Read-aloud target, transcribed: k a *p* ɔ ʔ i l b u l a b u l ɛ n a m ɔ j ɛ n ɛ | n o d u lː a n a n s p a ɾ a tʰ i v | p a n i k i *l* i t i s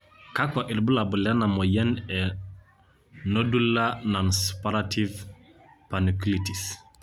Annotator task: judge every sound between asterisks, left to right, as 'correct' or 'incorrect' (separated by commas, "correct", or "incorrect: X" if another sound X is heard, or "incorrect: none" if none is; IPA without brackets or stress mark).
incorrect: k, correct